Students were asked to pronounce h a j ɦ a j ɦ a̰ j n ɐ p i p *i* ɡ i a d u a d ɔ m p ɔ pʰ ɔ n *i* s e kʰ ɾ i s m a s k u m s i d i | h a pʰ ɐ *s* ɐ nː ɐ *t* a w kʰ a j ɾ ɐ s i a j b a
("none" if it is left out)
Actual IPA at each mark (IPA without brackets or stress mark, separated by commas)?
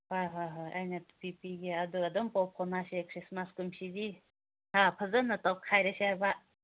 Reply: i, a, z, t